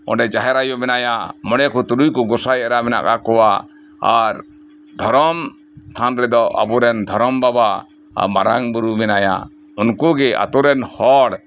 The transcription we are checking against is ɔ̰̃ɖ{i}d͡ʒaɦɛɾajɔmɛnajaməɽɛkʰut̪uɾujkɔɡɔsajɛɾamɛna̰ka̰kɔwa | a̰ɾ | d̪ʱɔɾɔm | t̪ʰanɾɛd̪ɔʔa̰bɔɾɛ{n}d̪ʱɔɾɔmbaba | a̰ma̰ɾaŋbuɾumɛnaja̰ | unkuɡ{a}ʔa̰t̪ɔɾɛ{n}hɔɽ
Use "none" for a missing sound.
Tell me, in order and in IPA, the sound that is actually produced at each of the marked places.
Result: ɛ, n, ɛ, n

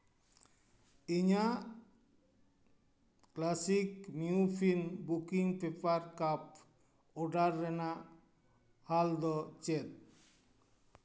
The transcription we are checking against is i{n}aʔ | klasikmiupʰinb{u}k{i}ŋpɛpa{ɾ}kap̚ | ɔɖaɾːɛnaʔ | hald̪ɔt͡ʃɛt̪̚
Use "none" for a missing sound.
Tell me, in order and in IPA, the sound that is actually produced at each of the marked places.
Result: ɲ, u, i, ɾ

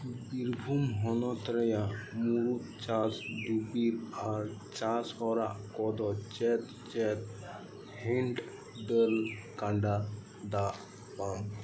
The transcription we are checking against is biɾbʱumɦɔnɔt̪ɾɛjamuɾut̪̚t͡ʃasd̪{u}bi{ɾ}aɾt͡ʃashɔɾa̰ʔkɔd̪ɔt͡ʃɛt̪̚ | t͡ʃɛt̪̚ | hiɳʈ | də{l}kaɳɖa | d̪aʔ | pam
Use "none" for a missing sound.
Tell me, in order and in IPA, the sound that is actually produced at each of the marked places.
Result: u, ɾ, l

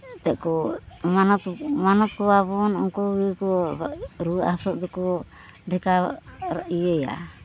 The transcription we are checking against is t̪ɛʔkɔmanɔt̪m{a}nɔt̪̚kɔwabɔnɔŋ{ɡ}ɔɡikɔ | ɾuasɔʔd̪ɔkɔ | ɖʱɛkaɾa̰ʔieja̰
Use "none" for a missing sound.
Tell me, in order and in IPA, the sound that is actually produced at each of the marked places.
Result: a, k

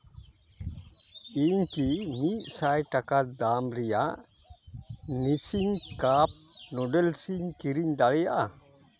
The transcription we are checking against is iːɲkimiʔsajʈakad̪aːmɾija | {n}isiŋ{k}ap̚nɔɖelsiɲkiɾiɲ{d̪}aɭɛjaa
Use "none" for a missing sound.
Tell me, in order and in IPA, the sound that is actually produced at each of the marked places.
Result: n, k, d̪

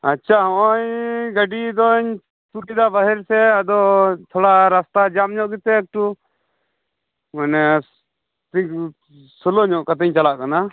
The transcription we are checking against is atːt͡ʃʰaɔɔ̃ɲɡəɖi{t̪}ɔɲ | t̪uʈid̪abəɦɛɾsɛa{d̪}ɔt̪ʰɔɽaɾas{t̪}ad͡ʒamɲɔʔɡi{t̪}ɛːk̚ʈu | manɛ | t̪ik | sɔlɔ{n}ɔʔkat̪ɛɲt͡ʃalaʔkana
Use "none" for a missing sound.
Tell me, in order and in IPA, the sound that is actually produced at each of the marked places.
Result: d̪, d̪, t̪, t̪, ɲ

